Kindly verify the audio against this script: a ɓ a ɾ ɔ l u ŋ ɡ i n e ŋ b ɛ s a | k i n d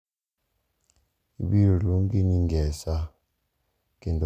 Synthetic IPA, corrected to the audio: i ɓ i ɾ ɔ l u ŋ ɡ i n i ŋ ɡ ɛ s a | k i n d